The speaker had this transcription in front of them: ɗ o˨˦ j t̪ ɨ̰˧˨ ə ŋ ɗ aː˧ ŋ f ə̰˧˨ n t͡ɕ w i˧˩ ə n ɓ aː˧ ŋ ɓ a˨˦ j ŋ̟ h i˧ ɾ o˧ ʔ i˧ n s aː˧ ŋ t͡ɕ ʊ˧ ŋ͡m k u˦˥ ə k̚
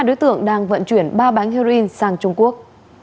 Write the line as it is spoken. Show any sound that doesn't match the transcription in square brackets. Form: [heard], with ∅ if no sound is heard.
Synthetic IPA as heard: ɗ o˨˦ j t̪ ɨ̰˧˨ ə ŋ ɗ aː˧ ŋ [v] ə̰˧˨ n t͡ɕ w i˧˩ ə n ɓ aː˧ [∅] ɓ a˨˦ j ŋ̟ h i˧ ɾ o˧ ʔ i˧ n s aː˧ ŋ t͡ɕ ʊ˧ ŋ͡m k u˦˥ ə k̚

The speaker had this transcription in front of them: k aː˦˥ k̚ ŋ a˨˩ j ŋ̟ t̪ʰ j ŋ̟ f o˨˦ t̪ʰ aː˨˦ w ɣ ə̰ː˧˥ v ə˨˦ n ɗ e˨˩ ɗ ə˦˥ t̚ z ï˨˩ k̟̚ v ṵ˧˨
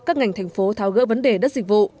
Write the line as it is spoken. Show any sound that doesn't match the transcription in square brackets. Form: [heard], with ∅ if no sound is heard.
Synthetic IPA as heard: k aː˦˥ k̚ ŋ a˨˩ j ŋ̟ t̪ʰ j ŋ̟ f o˨˦ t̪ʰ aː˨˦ w ɣ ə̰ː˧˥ v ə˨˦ n ɗ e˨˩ ɗ ə˦˥ t̚ z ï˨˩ k̟̚ v ṵ˧˨

